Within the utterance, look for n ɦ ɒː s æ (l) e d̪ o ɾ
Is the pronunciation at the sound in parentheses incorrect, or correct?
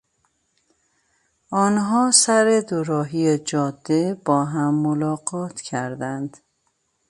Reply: incorrect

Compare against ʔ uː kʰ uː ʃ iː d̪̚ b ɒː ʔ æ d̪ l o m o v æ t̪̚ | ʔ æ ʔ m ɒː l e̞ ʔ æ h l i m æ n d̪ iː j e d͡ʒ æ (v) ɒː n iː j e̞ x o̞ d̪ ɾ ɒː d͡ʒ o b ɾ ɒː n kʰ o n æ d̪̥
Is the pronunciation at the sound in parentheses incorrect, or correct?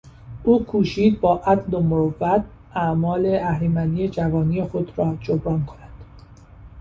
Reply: correct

